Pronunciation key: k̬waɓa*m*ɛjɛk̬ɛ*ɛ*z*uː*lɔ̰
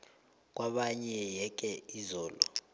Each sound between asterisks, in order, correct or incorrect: incorrect, incorrect, incorrect

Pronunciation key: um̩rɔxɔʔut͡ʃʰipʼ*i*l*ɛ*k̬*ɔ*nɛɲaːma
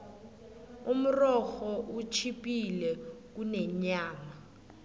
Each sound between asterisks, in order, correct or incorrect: correct, correct, incorrect

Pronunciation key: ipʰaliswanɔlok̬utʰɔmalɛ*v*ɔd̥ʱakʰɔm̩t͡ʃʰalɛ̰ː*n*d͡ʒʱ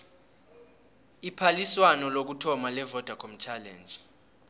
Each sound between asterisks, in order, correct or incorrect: correct, correct

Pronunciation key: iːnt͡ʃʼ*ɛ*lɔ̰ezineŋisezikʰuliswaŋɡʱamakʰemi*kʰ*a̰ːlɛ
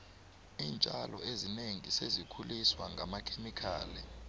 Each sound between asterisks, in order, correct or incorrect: incorrect, correct

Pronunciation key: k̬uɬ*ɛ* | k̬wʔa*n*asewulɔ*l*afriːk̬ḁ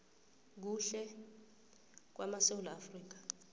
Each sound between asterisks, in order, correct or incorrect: correct, incorrect, incorrect

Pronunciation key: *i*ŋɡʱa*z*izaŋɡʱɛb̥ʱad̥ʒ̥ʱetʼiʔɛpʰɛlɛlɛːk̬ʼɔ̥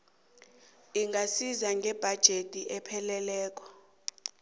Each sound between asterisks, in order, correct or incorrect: correct, incorrect

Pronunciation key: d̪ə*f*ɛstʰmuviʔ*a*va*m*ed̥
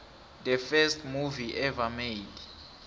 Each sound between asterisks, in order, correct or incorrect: correct, incorrect, correct

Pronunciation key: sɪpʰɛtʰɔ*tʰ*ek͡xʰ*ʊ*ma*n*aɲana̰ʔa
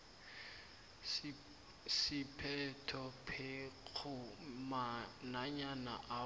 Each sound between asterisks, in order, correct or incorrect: incorrect, correct, correct

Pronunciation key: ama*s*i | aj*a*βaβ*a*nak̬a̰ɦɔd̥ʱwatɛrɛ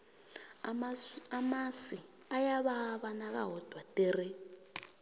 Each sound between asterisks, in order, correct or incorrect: correct, correct, correct

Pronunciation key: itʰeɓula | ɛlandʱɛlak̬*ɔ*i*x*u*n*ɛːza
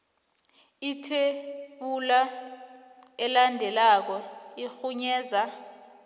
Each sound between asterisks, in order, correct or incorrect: correct, correct, incorrect

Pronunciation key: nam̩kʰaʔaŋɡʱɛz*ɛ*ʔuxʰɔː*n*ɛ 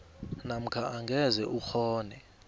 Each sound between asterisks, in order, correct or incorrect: correct, correct

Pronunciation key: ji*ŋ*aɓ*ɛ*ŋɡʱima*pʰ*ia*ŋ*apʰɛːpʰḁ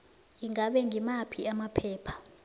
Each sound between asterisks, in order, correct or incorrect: correct, correct, correct, incorrect

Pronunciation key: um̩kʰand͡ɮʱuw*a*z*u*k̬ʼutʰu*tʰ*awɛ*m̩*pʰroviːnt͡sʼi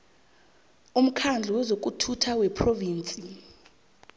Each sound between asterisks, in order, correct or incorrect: incorrect, incorrect, correct, incorrect

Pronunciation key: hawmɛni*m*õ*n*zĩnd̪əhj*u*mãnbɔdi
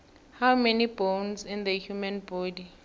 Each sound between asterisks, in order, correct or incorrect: incorrect, correct, correct

